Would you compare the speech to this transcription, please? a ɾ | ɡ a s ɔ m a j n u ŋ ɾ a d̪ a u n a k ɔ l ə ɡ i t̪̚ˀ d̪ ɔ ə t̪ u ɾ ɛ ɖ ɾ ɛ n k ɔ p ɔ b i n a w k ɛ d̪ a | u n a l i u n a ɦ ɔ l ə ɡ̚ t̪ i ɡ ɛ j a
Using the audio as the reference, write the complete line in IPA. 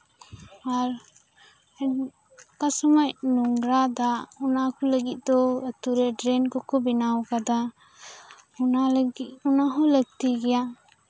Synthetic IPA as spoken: a ɾ | k a s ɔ m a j n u ŋ ɾ a d̪ a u n a k ɔ l ə ɡ i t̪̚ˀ d̪ ɔ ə t̪ u ɾ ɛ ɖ ɾ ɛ n k ɔ k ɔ b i n a w k a d̪ a | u n a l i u n a ɦ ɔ l ə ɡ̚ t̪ i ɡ ɛ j a